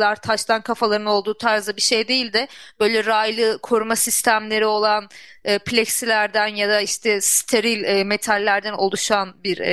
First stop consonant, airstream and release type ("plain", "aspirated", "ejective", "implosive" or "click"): aspirated